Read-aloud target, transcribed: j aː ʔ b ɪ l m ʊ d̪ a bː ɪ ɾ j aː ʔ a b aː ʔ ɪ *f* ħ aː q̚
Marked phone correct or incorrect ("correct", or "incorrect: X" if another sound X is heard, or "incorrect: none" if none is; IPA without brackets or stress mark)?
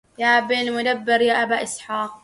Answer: incorrect: s